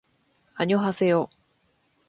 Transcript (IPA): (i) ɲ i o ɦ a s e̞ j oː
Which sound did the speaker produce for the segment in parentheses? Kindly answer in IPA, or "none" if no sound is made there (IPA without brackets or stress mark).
a